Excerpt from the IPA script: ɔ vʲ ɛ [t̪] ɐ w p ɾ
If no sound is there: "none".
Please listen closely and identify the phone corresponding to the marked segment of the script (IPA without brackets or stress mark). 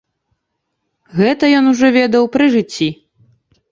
d̪